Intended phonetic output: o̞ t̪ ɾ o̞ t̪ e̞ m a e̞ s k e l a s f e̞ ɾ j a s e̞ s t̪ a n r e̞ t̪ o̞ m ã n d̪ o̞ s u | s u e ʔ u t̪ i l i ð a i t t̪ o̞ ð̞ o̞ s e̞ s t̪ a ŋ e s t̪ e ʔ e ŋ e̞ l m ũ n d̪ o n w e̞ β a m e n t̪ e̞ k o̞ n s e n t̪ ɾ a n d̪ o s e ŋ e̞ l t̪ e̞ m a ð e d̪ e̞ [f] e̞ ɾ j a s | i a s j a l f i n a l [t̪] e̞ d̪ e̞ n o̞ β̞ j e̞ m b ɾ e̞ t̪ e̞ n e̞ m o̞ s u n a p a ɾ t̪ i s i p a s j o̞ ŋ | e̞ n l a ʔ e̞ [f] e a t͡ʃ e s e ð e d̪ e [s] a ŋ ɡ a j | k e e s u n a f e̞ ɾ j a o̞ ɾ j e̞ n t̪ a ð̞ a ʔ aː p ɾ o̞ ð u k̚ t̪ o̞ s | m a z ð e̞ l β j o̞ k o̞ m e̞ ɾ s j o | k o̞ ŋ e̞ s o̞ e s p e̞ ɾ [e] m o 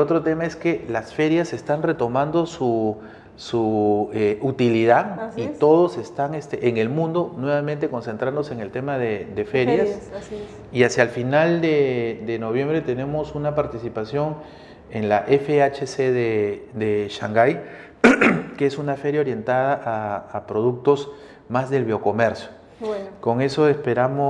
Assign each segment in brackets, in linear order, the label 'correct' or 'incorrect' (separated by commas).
correct, incorrect, correct, incorrect, incorrect